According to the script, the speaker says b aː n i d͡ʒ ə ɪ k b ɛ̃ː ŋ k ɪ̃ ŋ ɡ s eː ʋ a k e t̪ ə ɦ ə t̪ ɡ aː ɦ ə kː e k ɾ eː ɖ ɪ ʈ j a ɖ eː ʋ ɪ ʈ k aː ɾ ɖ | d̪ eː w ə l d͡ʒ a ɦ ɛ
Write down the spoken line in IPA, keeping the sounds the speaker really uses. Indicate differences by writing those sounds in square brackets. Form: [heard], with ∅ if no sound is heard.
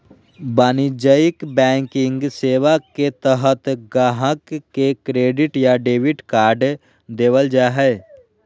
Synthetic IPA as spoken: b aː n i d͡ʒ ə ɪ k b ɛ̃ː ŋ k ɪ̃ ŋ ɡ s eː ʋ a k e t̪ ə ɦ ə t̪ ɡ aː ɦ ə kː e k ɾ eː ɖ ɪ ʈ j a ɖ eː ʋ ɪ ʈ k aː ɾ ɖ | d̪ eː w ə l d͡ʒ a ɦ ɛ